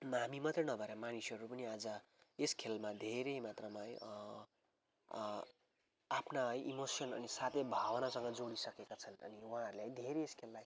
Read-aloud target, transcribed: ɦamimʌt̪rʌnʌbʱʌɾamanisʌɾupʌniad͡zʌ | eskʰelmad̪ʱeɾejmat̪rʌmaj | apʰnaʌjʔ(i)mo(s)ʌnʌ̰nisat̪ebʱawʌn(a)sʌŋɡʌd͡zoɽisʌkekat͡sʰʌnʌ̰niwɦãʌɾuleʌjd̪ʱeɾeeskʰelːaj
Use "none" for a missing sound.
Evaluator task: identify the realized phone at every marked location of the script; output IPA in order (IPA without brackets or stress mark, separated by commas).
i, s, a